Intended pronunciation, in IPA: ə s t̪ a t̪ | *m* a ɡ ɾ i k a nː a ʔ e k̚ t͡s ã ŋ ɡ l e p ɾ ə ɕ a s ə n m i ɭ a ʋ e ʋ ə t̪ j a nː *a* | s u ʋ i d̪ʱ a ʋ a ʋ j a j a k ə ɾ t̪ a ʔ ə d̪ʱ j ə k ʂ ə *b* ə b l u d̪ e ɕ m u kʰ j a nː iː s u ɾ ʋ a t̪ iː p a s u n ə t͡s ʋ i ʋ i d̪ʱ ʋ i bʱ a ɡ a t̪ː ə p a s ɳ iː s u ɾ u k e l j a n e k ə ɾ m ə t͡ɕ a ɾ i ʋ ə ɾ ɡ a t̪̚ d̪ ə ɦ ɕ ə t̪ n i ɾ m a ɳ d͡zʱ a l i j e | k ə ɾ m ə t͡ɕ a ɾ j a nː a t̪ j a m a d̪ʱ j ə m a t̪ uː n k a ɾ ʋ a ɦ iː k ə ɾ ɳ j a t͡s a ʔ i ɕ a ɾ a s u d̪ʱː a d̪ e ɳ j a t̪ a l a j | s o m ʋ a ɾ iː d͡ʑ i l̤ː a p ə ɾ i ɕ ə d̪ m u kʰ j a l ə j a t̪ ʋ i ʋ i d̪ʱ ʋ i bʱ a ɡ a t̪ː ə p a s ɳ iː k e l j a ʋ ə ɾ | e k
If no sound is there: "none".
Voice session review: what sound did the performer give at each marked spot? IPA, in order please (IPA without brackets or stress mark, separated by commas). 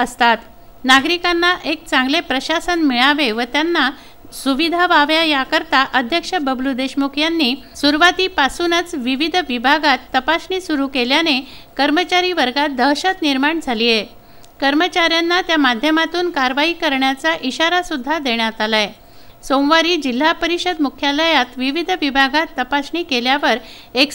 n, a, b